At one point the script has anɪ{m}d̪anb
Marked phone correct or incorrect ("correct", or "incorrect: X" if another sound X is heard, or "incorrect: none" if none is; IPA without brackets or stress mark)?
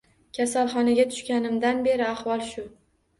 correct